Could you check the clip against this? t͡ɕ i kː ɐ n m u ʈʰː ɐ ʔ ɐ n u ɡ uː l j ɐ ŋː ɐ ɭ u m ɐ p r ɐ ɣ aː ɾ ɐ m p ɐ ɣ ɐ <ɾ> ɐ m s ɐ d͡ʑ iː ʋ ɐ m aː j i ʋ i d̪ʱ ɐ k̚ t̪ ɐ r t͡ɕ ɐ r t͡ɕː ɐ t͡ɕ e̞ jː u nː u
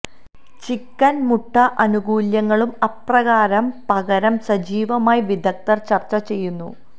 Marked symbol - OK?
yes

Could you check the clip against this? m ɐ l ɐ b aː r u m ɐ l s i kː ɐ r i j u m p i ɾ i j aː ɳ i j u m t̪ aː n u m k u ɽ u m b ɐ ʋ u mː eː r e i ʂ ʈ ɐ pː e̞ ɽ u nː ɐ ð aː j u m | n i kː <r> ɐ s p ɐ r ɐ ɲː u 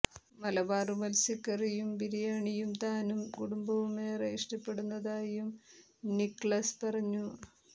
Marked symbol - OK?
no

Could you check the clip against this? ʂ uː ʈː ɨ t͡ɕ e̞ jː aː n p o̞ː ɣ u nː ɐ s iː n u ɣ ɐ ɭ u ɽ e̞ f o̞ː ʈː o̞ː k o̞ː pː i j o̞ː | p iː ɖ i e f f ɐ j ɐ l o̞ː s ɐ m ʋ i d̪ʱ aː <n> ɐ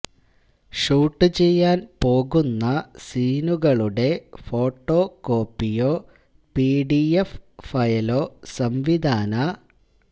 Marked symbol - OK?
yes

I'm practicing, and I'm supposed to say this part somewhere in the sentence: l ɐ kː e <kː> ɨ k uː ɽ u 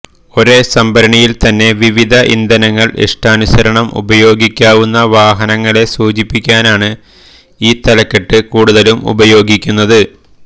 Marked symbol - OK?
no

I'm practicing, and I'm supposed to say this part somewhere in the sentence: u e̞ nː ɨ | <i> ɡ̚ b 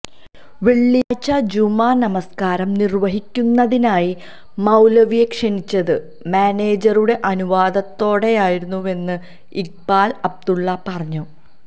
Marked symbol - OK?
yes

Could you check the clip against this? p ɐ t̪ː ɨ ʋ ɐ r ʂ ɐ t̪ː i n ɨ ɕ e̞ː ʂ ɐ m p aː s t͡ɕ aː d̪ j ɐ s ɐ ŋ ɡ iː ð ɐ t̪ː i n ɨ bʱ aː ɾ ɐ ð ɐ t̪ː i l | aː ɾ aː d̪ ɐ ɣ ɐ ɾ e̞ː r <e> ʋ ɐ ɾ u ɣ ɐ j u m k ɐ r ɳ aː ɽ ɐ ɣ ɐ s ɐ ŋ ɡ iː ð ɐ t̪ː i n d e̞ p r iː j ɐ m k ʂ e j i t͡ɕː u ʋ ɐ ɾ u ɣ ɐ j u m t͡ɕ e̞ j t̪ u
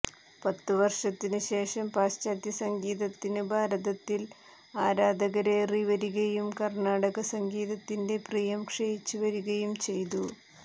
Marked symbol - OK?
no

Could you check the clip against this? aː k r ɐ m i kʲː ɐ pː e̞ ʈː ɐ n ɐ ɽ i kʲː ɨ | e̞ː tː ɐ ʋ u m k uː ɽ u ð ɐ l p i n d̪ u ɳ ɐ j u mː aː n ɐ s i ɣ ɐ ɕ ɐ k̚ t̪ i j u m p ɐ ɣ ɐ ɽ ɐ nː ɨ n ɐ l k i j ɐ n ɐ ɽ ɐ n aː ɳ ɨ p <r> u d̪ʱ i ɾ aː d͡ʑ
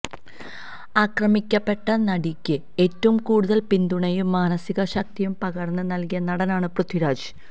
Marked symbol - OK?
yes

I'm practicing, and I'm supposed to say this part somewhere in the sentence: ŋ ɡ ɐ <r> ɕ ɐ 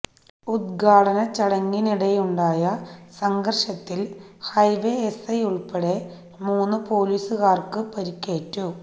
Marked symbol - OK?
yes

